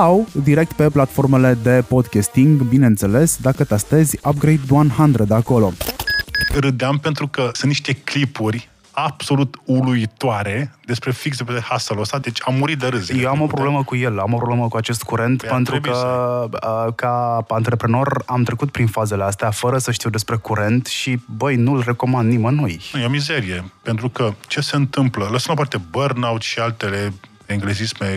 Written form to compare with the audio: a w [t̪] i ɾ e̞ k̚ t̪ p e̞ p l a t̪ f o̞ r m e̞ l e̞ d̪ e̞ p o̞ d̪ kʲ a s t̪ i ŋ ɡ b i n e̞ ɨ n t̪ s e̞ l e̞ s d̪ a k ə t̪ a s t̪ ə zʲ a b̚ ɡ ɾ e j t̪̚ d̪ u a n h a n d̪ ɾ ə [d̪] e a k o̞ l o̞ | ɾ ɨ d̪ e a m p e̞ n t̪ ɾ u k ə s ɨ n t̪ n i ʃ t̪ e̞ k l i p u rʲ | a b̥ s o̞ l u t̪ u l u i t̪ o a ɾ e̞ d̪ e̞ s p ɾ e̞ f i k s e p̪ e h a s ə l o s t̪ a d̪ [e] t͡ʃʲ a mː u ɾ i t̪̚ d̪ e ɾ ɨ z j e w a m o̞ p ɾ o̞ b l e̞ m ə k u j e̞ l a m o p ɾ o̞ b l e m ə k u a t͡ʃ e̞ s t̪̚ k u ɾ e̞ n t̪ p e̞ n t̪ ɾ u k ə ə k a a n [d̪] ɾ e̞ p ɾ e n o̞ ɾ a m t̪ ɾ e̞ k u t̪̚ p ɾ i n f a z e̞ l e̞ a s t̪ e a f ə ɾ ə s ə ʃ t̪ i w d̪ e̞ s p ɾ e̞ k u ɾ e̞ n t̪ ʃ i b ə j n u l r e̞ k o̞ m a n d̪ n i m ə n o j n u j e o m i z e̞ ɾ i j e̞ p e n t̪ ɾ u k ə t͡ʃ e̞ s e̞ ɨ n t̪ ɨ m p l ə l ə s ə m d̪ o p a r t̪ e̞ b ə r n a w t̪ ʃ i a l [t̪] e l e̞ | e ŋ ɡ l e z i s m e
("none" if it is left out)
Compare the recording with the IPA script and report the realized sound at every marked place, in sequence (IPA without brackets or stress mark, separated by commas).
d̪, d̪, e, t̪, t̪